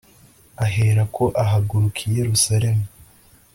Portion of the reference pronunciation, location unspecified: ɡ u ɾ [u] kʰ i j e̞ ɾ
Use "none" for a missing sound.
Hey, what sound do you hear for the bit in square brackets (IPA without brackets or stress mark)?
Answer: u